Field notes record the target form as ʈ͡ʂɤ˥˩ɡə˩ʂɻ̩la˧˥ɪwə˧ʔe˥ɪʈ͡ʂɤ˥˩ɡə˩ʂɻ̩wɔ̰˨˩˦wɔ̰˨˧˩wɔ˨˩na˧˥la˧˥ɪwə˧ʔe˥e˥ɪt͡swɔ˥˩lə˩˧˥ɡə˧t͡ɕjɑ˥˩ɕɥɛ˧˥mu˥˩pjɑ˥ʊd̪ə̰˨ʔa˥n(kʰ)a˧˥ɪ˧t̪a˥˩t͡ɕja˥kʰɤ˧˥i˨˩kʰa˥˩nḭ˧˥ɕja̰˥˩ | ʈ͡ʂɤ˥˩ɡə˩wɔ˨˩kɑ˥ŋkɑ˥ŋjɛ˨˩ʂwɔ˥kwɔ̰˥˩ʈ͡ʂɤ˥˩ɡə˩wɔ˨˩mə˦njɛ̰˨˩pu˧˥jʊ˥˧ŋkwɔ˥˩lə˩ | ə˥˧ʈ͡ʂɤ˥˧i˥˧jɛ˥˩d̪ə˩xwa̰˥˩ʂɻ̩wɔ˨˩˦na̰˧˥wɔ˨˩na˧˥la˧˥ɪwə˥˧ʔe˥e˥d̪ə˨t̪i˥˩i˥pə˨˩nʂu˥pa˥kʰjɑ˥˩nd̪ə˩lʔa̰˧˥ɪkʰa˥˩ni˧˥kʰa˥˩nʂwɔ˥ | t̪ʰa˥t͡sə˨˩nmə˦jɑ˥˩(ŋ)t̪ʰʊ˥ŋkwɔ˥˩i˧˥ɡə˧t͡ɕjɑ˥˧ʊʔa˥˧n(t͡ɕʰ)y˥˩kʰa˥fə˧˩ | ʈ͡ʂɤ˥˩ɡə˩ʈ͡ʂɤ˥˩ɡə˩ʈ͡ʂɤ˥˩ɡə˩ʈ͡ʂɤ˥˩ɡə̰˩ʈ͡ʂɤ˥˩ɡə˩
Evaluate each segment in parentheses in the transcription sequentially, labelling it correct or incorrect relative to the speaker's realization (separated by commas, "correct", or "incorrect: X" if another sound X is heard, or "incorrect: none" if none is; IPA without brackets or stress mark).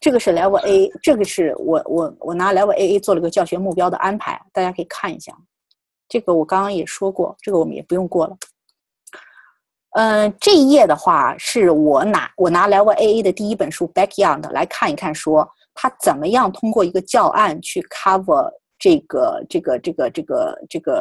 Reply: incorrect: pʰ, correct, correct